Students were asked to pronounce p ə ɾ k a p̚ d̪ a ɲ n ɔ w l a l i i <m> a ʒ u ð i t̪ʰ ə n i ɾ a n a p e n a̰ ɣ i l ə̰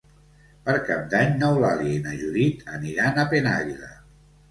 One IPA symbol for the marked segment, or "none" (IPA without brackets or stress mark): n